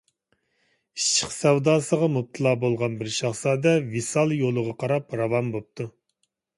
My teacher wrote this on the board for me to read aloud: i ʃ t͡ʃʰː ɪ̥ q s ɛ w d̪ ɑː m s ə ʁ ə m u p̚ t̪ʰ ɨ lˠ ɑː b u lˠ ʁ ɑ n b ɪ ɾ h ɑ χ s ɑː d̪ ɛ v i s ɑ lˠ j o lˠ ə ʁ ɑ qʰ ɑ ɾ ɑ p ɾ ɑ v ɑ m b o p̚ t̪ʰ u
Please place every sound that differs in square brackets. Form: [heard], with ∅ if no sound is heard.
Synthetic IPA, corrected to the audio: i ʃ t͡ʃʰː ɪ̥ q s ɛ w d̪ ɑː [∅] s ə ʁ [ɑ] m u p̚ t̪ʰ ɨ lˠ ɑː b [o] lˠ ʁ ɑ n b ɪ ɾ [ʃ] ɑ χ s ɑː d̪ ɛ v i s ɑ lˠ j o lˠ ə ʁ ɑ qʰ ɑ ɾ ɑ p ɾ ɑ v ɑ m b o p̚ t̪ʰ u